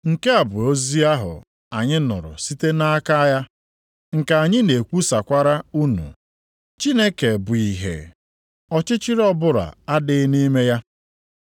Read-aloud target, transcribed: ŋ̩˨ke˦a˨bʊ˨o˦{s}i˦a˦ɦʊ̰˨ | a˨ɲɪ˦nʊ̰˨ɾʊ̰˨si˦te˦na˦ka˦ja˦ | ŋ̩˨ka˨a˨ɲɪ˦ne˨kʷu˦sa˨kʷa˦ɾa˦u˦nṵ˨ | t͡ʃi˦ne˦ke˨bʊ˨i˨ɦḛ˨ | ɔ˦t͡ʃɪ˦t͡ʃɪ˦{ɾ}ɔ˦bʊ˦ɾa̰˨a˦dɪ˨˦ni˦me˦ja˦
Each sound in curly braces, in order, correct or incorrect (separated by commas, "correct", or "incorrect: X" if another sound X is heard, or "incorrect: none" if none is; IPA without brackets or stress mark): incorrect: z, correct